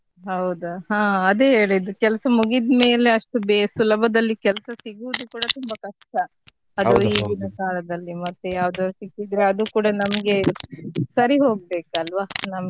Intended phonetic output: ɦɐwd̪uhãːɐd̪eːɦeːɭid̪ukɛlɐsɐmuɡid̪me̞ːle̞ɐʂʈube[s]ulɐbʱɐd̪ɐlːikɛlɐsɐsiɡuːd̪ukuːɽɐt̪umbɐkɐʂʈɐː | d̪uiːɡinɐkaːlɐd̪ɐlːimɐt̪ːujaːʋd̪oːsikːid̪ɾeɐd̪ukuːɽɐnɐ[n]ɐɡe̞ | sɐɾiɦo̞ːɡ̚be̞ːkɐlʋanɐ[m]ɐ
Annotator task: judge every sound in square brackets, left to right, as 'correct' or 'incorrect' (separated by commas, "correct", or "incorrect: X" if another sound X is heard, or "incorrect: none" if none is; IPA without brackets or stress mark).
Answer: correct, incorrect: m, correct